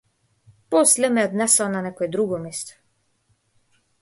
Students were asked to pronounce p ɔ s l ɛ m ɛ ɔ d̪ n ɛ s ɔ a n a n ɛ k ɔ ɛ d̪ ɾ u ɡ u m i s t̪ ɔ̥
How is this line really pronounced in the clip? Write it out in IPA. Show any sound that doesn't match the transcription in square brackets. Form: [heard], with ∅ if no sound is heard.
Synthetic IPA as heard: p ɔ s l ɛ m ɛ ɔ d̪ n ɛ s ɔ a n a n ɛ k ɔ ɛ d̪ ɾ u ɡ [ɔ] m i s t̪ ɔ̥